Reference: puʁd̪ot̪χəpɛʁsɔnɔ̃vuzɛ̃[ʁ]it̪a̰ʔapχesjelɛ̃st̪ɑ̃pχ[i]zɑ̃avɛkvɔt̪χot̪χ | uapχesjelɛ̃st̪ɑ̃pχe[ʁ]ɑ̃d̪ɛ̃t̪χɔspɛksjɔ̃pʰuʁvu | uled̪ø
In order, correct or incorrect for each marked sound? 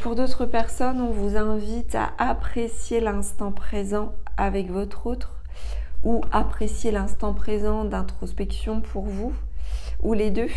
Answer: incorrect, incorrect, incorrect

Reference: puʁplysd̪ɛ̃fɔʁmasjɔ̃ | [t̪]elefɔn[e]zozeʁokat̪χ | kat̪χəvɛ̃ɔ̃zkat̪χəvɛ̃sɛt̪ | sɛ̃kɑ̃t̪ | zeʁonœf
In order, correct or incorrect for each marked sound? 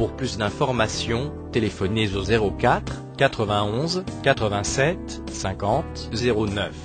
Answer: correct, correct

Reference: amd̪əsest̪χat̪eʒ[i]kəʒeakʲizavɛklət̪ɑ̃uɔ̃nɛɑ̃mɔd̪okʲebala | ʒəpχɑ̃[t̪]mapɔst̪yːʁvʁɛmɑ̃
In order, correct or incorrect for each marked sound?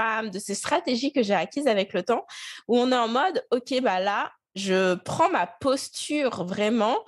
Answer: correct, incorrect

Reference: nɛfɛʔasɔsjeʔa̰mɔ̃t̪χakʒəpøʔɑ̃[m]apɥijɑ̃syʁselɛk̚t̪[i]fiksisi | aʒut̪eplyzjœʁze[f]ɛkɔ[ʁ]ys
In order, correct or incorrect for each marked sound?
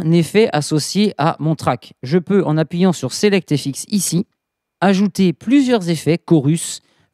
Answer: incorrect, incorrect, correct, correct

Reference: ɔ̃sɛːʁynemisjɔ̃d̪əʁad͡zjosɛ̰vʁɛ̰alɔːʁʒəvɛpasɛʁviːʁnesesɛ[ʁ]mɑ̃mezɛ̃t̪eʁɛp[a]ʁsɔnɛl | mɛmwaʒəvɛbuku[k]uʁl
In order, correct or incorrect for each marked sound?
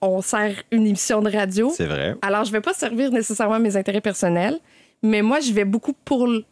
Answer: correct, incorrect, incorrect

